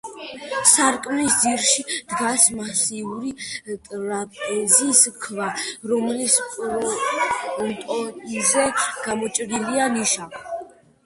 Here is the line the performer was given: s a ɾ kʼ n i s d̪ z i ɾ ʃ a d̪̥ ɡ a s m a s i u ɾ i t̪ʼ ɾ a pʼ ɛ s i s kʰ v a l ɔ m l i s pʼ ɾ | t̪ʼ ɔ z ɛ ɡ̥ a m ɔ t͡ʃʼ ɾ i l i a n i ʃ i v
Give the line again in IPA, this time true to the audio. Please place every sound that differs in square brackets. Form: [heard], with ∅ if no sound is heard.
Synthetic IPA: s a ɾ kʼ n i s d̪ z i ɾ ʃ [i] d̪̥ ɡ a s m a s i u ɾ i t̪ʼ ɾ a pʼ ɛ [z] i s kʰ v a [ɾ] ɔ m l i s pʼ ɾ | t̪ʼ ɔ z ɛ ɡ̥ a m ɔ t͡ʃʼ ɾ i l i a n i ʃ [a] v

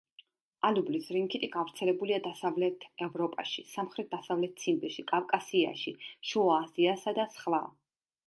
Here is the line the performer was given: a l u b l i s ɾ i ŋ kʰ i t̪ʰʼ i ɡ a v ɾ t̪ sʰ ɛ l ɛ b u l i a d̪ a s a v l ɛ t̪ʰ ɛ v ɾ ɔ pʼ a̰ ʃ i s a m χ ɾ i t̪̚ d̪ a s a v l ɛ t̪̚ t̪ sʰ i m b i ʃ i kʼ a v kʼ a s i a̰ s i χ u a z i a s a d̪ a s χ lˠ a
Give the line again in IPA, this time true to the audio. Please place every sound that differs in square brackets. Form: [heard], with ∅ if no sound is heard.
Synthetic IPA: a l u b l i s ɾ i ŋ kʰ i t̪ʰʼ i ɡ a v ɾ t̪ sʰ ɛ l ɛ b u l i a d̪ a s a v l ɛ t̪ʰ ɛ v ɾ ɔ pʼ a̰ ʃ i s a m χ ɾ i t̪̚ d̪ a s a v l ɛ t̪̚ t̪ sʰ i m b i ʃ i kʼ a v kʼ a s i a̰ [ʃ] i [ʃ] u a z i a s a d̪ a s χ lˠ a

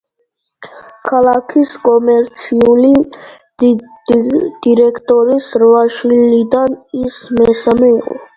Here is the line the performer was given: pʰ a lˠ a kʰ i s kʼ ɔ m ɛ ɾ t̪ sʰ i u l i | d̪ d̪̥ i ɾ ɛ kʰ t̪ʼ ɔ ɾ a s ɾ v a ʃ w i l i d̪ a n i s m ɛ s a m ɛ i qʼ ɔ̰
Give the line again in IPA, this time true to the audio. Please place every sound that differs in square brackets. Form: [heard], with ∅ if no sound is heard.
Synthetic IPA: [kʰ] a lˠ a kʰ i s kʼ ɔ m ɛ ɾ t̪ sʰ i u l i | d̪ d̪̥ i ɾ ɛ kʰ t̪ʼ ɔ ɾ [i] s ɾ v a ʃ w i l i d̪ a n i s m ɛ s a m ɛ i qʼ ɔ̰

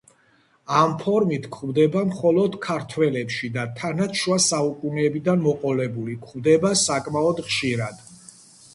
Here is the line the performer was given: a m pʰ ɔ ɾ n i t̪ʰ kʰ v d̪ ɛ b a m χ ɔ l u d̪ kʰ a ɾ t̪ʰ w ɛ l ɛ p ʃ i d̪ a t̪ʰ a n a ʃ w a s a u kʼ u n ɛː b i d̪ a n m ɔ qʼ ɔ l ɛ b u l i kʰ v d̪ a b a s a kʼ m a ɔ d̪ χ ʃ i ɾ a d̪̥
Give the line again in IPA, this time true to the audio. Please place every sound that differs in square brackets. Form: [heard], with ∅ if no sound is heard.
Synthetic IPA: a m pʰ ɔ ɾ [m] i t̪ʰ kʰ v d̪ ɛ b a m χ ɔ l [ɔ] d̪ kʰ a ɾ t̪ʰ w ɛ l ɛ p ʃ i d̪ a t̪ʰ a n a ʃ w a s a u kʼ u n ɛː b i d̪ a n m ɔ qʼ ɔ l ɛ b u l i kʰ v d̪ [ɛ] b a s a kʼ m a ɔ d̪ χ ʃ i ɾ a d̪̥

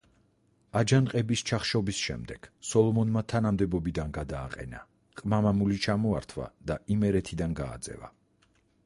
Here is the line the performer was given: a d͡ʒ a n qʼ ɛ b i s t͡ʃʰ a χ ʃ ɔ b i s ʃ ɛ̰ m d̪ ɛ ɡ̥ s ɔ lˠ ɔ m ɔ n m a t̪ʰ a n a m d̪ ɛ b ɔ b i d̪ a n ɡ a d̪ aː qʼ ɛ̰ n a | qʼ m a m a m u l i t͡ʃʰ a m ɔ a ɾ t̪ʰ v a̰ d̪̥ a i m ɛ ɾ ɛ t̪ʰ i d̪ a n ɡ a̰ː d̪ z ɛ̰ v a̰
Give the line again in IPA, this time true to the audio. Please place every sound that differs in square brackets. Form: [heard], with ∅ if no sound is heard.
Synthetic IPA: a d͡ʒ a n qʼ ɛ b i s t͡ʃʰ a χ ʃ ɔ b i s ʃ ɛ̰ m d̪ ɛ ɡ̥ s ɔ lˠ ɔ m ɔ n m a t̪ʰ a n a m d̪ ɛ b ɔ b i d̪ a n ɡ a d̪ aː qʼ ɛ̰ n a | qʼ m a m a m u l i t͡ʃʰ a m ɔ a ɾ t̪ʰ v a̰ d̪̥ a i m ɛ ɾ ɛ t̪ʰ i d̪ a n ɡ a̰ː d̪ z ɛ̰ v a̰

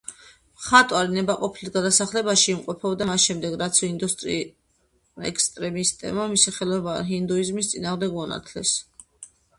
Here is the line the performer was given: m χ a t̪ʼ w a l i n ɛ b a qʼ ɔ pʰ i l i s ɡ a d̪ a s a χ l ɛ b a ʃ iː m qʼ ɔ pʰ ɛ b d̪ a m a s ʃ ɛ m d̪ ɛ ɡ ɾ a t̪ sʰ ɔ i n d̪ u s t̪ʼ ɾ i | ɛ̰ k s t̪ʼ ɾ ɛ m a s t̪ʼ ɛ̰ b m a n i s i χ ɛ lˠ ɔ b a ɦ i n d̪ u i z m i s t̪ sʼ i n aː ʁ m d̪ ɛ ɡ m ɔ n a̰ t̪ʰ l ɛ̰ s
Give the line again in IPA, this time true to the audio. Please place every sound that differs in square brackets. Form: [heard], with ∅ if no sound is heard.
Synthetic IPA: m χ a t̪ʼ w a [ɾ] i n ɛ b a qʼ ɔ pʰ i l i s ɡ a d̪ a s a χ l ɛ b a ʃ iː m qʼ ɔ pʰ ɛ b d̪ a m a s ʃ ɛ m d̪ ɛ ɡ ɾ a t̪ sʰ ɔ i n d̪ u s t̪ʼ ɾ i | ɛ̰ k s t̪ʼ ɾ ɛ m [i] s t̪ʼ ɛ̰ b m a [m] i s i χ ɛ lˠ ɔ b a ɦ i n d̪ u i z m i s t̪ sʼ i n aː ʁ m d̪ ɛ ɡ m ɔ n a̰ t̪ʰ l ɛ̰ s

